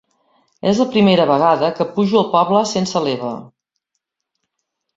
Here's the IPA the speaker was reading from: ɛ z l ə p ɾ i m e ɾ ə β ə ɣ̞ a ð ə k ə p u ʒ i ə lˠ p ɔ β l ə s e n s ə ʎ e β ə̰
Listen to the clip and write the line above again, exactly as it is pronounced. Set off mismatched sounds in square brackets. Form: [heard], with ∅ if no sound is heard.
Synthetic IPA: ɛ z l ə p ɾ i m e ɾ ə β ə ɣ̞ a ð ə k ə p u ʒ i ə lˠ p ɔ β l ə s e n s ə [l] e β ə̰